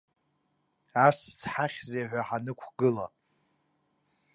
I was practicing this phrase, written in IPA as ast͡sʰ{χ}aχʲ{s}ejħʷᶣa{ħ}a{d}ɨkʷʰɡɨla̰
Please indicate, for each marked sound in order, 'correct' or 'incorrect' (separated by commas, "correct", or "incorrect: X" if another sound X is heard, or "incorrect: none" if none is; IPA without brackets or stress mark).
incorrect: ħ, incorrect: z, correct, incorrect: n